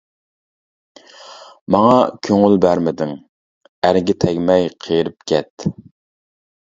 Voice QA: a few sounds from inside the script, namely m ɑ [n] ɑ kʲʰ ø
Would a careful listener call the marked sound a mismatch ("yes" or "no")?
yes